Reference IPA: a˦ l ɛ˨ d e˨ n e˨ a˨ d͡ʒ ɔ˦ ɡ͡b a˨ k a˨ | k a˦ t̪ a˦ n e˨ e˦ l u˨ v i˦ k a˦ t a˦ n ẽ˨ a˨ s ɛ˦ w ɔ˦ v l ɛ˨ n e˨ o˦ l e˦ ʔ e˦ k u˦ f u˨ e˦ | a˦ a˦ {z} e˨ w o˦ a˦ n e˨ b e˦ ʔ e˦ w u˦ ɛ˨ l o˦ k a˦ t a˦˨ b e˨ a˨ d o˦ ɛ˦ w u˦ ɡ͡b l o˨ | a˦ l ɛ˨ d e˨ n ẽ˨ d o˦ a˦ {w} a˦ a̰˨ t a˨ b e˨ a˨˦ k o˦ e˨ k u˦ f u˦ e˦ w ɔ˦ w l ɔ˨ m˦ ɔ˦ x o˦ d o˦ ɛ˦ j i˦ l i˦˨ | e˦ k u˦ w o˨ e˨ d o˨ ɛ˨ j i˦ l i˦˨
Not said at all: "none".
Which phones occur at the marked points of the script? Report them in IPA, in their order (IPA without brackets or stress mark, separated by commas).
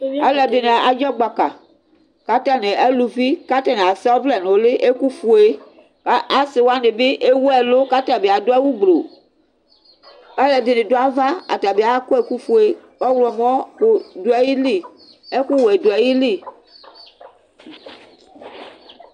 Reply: s, v